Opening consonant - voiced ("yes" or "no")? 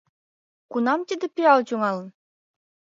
no